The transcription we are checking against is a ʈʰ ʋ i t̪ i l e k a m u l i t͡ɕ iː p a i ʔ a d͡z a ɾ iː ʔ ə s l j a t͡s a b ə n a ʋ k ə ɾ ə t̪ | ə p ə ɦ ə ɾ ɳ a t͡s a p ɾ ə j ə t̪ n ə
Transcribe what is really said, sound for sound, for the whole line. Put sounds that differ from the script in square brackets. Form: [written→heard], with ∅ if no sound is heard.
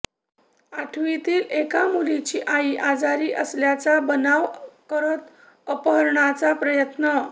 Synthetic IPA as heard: a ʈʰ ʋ i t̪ [i→iː] l e k a m u l i t͡ɕ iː [p→ʔ] a i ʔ a d͡z a ɾ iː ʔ ə s l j a t͡s a b ə n a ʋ k ə ɾ ə t̪ | ə p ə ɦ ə ɾ ɳ a t͡s a p ɾ ə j ə t̪ n ə